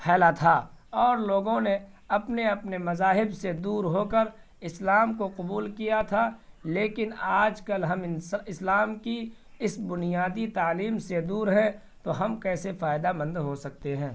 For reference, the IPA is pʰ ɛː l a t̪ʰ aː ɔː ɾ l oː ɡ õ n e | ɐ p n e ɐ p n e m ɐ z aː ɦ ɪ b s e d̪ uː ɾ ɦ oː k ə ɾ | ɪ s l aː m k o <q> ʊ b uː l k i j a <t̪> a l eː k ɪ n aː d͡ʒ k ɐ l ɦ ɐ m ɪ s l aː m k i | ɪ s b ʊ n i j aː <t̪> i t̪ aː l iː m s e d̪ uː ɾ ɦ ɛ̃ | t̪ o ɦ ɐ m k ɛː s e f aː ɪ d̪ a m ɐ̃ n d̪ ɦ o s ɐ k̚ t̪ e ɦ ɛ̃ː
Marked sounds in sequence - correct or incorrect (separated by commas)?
correct, incorrect, incorrect